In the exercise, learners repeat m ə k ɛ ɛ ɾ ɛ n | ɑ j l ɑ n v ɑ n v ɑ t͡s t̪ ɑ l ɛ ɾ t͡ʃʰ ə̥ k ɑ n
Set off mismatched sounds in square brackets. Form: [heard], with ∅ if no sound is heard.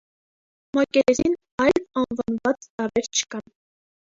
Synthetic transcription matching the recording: m [ɑ] k ɛ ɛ ɾ [i] n | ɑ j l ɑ n v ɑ n v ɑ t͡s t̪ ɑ [ɾ] ɛ ɾ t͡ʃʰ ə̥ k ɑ n